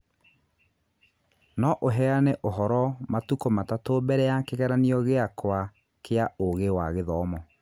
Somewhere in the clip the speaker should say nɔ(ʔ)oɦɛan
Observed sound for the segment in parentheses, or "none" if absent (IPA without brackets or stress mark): ʔ